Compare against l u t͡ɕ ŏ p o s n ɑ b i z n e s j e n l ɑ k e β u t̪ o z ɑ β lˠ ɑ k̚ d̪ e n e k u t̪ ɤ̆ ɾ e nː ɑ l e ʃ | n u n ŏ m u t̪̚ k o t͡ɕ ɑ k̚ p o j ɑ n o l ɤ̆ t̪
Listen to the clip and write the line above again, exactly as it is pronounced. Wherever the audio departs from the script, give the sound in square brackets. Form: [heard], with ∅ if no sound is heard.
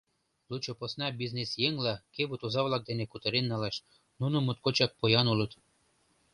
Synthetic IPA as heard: l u t͡ɕ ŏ p o s n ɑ b i z n e s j e [ŋ] l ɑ k e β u t̪ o z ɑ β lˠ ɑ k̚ d̪ e n e k u t̪ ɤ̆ ɾ e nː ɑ l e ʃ | n u n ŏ m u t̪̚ k o t͡ɕ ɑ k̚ p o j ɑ n [u] l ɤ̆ t̪